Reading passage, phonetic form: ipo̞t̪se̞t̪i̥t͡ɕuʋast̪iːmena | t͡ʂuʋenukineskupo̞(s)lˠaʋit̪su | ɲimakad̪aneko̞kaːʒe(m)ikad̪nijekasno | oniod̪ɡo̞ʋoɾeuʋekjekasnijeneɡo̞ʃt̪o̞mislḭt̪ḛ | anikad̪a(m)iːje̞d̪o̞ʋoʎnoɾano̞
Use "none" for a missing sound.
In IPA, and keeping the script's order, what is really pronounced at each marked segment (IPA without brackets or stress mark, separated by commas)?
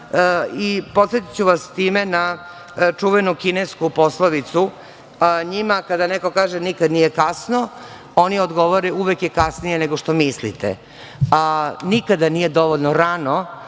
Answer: s, n, n